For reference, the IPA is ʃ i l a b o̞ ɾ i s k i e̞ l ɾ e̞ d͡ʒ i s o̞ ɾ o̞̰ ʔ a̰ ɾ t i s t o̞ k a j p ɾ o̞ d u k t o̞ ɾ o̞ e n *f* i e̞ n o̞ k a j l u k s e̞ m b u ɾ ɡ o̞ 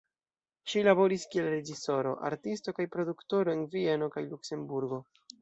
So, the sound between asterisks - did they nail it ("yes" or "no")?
no